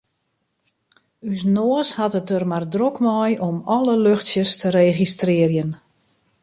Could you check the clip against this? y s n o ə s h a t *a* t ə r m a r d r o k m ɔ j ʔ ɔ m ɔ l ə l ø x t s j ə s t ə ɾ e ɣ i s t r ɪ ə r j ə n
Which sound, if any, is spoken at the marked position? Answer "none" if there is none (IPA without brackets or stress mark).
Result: ə